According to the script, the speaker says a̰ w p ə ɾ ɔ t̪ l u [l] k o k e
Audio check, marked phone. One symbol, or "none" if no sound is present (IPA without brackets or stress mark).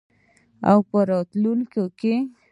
l